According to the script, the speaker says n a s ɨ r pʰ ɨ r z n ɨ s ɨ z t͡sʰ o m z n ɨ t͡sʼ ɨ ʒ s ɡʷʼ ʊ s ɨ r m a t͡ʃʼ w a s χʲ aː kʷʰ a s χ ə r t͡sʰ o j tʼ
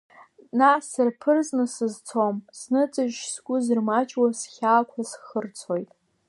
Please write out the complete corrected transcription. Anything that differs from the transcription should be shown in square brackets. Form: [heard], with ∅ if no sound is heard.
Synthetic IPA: n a s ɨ r pʰ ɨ r z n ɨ s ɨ z t͡sʰ o m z n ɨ t͡sʼ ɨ ʒ s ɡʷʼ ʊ [z] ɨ r m a t͡ʃʼ w a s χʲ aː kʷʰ a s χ ə r t͡sʰ o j tʼ

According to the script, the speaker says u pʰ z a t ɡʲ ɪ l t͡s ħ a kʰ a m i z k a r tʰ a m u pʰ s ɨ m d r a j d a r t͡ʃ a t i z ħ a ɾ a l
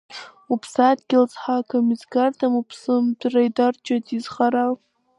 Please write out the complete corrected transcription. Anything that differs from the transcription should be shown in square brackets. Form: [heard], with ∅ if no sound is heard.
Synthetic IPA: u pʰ [s] a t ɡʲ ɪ l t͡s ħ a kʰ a m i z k a r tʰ a m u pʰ s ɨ m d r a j d a r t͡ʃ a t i z [χ] a ɾ a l

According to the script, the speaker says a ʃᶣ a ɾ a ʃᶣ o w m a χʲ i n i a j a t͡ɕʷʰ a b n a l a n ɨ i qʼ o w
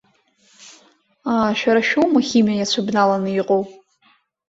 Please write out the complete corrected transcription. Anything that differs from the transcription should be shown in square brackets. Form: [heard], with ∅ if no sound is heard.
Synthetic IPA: a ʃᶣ a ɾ a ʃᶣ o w m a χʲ i [m] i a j a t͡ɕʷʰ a b n a l a n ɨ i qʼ o w

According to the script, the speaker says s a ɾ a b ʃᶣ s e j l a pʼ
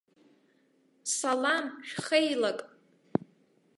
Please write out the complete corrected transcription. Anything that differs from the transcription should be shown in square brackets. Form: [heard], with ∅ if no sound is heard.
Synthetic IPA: s a [l] a [m] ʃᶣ [χ] e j l a [kʼ]

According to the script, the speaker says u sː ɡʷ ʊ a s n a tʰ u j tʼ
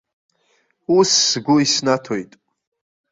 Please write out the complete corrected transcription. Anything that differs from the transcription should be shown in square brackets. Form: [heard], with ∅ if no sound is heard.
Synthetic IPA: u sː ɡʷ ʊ [i] s n a tʰ [o] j tʼ

